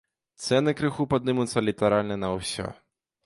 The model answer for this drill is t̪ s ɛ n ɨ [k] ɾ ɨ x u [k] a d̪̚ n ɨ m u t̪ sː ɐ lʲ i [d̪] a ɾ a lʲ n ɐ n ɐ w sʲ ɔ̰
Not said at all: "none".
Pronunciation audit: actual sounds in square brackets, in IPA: k, p, t̪

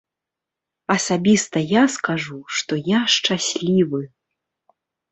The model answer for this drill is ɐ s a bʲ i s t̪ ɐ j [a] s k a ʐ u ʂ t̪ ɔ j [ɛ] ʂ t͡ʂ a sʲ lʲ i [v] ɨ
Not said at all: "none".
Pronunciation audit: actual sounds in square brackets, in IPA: a, a, v

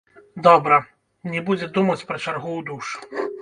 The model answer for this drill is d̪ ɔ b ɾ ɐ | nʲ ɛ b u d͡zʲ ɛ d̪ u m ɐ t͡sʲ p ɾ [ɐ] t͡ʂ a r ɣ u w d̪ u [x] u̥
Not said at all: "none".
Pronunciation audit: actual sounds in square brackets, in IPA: ɐ, ʂ

